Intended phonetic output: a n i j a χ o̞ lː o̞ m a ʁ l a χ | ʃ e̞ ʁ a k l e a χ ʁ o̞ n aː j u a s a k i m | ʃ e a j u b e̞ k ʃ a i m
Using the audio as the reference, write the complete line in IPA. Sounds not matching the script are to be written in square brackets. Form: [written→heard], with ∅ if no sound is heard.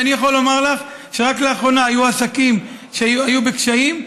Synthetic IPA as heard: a n i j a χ o̞ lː o̞ m a ʁ l a χ | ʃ e̞ ʁ a k l e a χ ʁ o̞ n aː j u a s a k i m | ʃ e a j u b e̞ k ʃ a i m